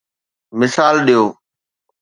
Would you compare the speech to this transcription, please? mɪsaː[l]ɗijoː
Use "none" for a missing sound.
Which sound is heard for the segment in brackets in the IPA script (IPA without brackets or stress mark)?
l